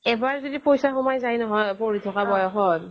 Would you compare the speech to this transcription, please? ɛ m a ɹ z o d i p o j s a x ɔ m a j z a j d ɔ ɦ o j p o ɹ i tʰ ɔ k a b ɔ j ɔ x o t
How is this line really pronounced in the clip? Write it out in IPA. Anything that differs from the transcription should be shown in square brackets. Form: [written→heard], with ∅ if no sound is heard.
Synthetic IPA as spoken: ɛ [m→b] a ɹ z o d i p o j s a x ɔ m a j z a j [d→n] ɔ ɦ [o→ɔ] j p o ɹ i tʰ ɔ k a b ɔ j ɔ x [o→ɔ] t